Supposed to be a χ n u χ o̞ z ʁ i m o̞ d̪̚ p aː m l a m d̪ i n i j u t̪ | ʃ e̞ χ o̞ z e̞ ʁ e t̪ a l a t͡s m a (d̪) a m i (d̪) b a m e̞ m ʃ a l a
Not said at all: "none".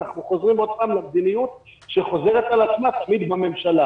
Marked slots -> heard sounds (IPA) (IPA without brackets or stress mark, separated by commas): t̪, d̪